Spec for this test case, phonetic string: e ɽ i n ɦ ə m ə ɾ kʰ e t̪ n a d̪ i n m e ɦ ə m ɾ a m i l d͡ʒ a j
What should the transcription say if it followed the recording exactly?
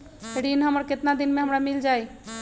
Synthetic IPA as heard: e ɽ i n ɦ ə m ə ɾ k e t̪ n a d̪ i n m e ɦ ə m ɾ a m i l d͡ʒ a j